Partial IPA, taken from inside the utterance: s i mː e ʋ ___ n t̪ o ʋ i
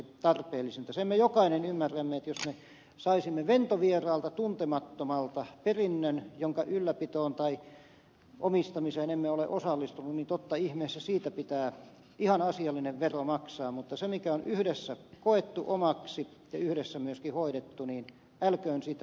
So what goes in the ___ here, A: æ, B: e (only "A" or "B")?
B